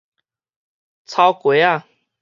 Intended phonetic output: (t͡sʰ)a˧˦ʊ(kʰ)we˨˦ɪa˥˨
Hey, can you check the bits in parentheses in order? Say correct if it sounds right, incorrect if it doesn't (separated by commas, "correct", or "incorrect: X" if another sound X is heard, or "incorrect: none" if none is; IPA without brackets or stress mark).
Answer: correct, incorrect: k